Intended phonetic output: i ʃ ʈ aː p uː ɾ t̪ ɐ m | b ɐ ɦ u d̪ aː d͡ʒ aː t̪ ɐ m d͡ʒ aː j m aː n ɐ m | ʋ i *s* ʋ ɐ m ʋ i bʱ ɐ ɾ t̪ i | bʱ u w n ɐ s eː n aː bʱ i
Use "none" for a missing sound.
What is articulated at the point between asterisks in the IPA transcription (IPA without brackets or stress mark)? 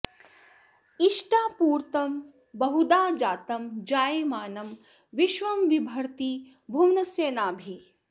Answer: ʃ